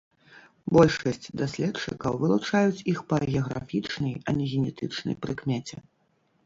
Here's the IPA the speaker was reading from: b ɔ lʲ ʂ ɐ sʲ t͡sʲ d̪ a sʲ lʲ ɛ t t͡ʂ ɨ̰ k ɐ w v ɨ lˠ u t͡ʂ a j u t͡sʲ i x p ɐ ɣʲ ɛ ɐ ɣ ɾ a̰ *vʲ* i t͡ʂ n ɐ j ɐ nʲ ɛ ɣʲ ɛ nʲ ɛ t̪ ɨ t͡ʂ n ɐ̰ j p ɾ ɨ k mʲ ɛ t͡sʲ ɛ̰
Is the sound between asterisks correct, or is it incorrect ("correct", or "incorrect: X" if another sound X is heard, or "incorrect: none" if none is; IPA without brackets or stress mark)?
incorrect: fʲ